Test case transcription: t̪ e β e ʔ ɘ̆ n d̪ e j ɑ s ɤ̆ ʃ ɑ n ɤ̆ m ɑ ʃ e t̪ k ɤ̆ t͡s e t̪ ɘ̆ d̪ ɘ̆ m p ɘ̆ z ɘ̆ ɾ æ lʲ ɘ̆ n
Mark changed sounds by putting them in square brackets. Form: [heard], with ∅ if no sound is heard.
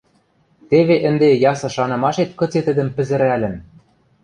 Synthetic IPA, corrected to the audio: t̪ e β e ʔ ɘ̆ n d̪ e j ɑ s ɤ̆ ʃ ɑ n ɤ̆ m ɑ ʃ e t̪ k ɤ̆ t͡s e t̪ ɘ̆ d̪ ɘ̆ m p ɘ̆ z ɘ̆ ɾ æ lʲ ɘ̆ n